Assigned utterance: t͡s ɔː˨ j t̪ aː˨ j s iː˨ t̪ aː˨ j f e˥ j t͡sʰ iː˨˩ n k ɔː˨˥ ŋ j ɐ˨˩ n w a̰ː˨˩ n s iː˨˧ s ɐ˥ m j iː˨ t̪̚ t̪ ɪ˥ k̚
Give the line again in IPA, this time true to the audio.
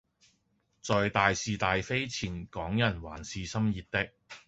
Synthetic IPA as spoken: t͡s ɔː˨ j t̪ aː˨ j s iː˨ t̪ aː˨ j f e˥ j t͡sʰ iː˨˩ n k ɔː˨˥ ŋ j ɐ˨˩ n w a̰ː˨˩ n s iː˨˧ s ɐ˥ m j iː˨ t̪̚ t̪ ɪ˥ k̚

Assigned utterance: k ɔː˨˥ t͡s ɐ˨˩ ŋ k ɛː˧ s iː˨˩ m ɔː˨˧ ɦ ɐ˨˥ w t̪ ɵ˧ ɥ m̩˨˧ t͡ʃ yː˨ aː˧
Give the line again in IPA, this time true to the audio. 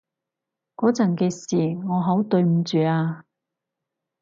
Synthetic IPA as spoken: k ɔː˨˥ t͡s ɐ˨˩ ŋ k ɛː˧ s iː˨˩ ŋ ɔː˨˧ ɦ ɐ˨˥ w t̪ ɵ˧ ɥ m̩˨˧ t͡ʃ yː˨ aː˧

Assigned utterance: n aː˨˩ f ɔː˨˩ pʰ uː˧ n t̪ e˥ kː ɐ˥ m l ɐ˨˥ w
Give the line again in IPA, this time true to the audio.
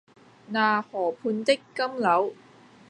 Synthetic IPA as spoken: n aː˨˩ h ɔː˨˩ pʰ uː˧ n t̪ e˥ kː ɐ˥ m l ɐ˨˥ w

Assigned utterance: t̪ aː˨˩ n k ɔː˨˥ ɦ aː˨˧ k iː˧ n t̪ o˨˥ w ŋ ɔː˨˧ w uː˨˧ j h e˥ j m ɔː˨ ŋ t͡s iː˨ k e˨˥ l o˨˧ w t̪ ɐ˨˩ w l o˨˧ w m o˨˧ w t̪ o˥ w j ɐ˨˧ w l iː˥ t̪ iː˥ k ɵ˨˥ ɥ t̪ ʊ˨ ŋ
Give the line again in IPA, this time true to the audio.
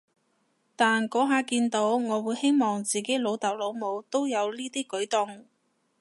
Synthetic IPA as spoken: t̪ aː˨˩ n k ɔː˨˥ ɦ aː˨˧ k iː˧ n t̪ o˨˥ w ŋ ɔː˨˧ w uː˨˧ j h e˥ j m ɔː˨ ŋ t͡s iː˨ k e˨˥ l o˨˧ w t̪ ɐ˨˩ w l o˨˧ w m o˨˧ w t̪ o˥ w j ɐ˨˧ w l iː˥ t̪ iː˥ k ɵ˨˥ ɥ t̪ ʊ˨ ŋ

